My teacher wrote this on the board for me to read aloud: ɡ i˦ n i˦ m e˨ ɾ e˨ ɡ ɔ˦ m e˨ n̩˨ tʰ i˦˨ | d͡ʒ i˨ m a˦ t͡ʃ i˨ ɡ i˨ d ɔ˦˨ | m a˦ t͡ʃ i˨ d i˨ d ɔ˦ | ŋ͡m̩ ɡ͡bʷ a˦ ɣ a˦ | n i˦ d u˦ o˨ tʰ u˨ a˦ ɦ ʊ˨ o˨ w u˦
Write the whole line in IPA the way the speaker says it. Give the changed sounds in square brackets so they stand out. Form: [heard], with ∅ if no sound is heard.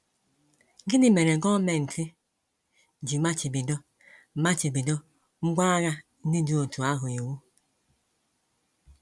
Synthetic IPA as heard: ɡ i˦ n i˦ m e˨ ɾ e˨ ɡ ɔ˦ m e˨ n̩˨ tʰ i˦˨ | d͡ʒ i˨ m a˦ t͡ʃ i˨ [b] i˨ d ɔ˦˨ | m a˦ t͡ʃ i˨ [b] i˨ d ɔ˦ | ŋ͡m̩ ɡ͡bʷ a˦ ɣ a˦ | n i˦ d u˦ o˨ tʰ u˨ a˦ ɦ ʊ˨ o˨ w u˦